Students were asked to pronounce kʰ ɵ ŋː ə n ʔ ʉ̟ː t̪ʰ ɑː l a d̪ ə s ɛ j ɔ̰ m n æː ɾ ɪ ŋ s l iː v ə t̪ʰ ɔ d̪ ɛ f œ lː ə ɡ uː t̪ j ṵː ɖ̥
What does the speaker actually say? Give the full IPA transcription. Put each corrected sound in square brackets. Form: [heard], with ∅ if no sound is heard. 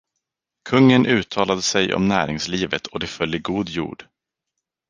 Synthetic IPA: kʰ ɵ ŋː ə n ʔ ʉ̟ː t̪ʰ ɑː l a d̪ ə s ɛ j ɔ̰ m n æː ɾ ɪ ŋ s l iː v ə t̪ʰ ɔ d̪ ɛ f œ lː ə ɡ uː [d̪] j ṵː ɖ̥